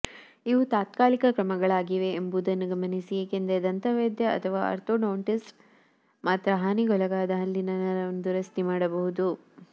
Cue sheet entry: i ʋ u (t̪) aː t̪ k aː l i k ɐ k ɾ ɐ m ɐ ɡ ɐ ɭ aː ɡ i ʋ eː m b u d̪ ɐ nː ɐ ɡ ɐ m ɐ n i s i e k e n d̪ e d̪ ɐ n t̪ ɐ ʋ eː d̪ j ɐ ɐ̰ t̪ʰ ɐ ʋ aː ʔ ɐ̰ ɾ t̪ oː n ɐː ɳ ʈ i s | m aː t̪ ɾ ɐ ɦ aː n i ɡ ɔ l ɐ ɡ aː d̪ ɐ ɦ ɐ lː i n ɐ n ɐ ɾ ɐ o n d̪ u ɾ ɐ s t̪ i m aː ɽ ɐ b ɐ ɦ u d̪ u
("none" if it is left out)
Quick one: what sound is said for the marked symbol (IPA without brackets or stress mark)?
t̪